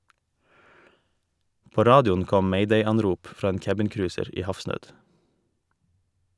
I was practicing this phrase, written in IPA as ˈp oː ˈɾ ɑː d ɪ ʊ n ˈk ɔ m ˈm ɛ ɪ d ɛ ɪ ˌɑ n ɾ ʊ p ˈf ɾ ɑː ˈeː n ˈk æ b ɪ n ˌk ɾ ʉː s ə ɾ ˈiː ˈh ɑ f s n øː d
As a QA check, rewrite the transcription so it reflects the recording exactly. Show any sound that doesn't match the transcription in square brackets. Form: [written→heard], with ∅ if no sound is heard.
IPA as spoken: ˈp oː ˈɾ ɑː d ɪ ʊ n ˈk ɔ m ˈm ɛ ɪ d ɛ ɪ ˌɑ n ɾ ʊ p ˈf ɾ ɑː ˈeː n ˈk æ b ɪ n ˌk ɾ ʉː s ə ɾ ˈiː ˈh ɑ f s n øː d